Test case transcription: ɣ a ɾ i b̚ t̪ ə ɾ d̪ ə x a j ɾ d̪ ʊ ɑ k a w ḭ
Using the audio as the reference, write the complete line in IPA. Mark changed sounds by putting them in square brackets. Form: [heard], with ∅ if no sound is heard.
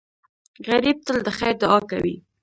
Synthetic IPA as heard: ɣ a ɾ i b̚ t̪ ə [l] d̪ ə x a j ɾ d̪ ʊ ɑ k a w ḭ